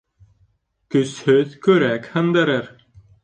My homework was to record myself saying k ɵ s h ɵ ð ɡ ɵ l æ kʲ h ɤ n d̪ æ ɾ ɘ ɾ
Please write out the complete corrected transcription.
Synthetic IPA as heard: k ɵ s h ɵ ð k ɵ ɾ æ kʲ h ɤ n d̪ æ ɾ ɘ ɾ